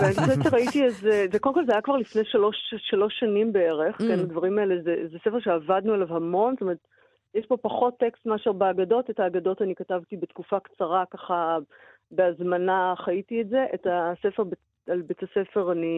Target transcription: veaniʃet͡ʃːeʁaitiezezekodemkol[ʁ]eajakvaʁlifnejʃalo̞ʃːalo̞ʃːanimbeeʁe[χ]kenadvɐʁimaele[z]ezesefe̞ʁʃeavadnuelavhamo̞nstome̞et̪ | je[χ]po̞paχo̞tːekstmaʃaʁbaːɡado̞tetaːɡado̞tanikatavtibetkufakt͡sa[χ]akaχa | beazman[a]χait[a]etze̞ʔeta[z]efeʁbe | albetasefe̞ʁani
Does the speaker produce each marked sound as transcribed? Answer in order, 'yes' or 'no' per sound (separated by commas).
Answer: no, yes, yes, no, no, yes, no, no